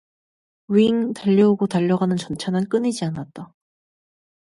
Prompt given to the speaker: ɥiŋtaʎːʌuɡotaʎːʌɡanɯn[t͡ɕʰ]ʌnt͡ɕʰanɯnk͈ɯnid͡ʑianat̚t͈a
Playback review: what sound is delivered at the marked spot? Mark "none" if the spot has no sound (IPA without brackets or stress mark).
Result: t͡ɕ